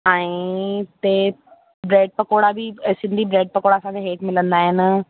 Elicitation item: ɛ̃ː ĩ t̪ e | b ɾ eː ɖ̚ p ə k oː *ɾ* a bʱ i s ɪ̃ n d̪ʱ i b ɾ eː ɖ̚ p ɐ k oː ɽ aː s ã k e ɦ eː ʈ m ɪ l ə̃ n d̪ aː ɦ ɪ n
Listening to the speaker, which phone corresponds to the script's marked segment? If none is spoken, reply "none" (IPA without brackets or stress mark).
ɽ